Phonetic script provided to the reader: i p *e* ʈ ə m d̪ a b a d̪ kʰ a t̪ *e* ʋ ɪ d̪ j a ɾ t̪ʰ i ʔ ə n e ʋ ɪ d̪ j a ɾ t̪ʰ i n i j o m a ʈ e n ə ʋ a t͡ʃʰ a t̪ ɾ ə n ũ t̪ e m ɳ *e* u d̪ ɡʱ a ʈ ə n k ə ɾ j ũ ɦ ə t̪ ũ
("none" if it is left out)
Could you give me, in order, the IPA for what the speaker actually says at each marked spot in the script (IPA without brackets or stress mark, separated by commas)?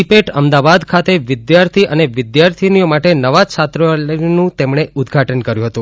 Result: e, e, e